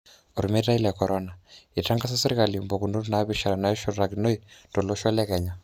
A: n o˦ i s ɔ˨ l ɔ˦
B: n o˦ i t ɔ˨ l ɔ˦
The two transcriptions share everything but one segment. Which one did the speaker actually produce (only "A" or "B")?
B